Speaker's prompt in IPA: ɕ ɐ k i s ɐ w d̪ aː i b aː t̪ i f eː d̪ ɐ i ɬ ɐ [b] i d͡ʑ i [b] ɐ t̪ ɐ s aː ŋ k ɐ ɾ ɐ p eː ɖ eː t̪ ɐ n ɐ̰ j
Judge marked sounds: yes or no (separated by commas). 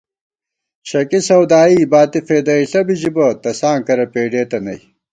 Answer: yes, yes